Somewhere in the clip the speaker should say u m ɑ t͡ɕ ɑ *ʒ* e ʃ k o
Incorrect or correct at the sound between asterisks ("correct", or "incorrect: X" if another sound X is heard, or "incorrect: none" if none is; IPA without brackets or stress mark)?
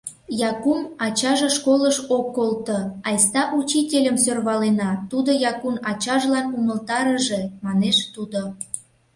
correct